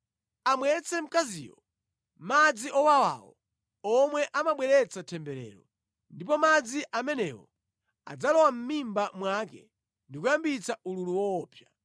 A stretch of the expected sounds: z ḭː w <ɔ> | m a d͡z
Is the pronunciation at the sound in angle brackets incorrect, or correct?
correct